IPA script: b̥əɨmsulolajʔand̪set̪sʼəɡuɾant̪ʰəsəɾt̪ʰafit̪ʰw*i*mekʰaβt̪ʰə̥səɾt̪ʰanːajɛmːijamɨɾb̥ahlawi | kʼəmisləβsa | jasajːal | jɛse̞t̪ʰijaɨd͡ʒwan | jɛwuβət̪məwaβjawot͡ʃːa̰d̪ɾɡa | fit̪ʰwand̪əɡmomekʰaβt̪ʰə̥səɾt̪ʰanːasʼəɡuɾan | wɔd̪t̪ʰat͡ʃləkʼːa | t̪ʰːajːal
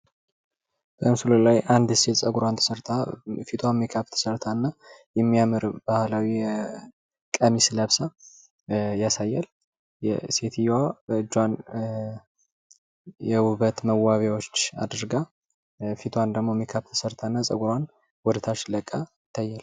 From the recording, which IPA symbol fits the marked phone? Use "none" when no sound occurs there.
a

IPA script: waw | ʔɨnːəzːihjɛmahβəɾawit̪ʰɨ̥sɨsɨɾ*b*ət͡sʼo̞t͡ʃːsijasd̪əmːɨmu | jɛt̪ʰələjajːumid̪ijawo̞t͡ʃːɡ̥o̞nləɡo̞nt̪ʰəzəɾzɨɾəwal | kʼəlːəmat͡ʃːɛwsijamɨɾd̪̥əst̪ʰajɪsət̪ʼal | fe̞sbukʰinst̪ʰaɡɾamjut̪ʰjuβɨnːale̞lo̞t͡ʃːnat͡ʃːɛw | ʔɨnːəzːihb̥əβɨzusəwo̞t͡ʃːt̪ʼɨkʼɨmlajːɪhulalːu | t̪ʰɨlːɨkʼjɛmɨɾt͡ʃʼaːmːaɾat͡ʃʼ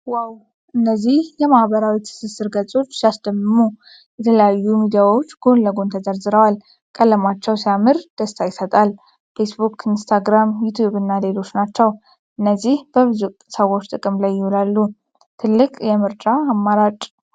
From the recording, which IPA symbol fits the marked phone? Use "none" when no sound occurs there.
ɡ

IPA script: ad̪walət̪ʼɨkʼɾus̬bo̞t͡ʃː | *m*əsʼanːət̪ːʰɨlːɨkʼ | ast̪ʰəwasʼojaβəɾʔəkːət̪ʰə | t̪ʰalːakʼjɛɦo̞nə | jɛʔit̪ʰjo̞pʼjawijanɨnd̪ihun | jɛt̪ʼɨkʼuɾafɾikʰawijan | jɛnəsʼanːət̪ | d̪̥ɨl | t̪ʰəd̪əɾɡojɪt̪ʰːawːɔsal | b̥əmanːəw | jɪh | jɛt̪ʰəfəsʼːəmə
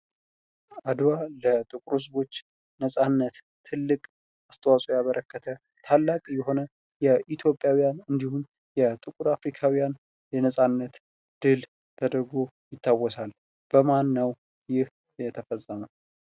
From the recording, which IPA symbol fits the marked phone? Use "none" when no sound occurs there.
n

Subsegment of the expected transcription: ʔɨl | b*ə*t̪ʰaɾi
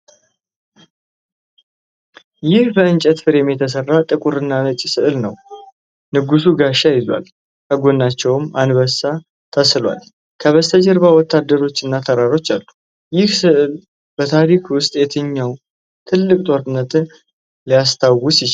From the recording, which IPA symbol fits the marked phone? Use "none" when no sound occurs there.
ə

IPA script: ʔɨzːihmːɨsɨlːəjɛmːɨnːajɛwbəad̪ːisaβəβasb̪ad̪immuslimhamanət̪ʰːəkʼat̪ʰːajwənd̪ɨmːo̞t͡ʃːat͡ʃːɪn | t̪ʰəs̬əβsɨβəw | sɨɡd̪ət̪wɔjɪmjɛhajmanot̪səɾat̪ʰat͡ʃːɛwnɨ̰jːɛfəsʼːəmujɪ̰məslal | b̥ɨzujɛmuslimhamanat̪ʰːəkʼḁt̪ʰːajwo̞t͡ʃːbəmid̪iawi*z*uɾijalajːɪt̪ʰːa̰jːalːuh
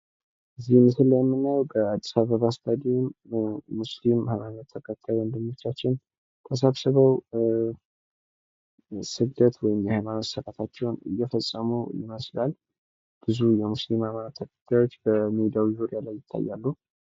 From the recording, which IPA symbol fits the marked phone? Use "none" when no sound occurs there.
z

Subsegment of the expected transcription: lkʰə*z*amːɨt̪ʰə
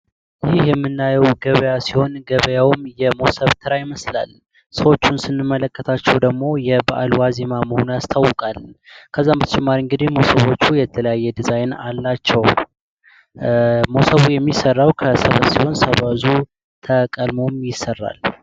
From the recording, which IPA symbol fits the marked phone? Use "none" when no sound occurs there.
zː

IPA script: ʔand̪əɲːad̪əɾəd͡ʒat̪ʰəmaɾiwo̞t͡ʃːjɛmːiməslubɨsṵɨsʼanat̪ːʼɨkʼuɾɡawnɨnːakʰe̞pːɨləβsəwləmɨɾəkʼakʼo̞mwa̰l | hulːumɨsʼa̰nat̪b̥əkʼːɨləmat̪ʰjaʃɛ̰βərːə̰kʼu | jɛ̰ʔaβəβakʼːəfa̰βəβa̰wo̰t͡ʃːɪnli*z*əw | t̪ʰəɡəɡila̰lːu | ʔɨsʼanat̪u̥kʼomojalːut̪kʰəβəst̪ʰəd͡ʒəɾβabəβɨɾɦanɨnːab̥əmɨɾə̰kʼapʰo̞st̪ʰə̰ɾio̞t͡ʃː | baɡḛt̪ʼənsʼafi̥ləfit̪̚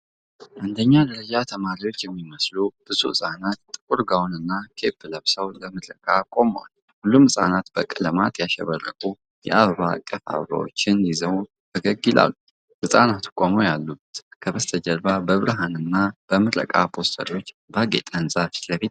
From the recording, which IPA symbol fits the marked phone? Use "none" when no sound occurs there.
z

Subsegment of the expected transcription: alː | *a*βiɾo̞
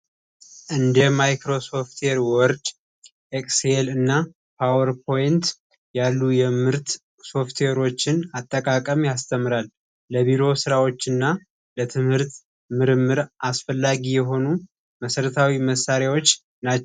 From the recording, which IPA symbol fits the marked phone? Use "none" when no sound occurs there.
ə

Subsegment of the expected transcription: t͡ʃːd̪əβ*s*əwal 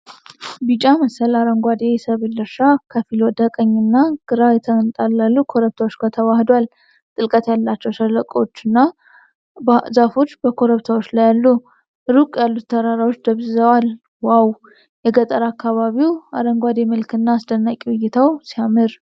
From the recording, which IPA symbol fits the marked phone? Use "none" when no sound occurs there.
z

